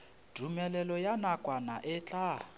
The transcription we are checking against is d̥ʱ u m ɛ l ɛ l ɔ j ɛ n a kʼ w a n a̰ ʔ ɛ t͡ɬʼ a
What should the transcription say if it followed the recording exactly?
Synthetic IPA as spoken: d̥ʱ u m ɛ l ɛ l ɔ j a n a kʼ w a n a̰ ʔ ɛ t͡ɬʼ a